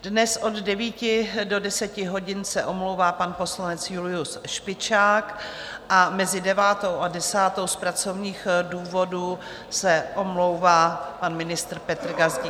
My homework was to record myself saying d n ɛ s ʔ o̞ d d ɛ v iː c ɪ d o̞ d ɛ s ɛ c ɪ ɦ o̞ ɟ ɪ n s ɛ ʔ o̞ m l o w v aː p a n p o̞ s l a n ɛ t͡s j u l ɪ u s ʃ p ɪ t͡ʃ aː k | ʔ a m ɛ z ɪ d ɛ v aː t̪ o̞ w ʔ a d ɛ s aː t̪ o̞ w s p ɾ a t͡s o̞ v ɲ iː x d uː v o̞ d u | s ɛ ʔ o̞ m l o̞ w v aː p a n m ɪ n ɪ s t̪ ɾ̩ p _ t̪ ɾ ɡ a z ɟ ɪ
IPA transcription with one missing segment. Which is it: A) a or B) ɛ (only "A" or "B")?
B